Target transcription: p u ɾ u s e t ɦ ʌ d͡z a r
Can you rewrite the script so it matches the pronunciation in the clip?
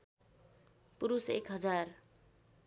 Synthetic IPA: p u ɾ u s e k ɦ ʌ d͡z a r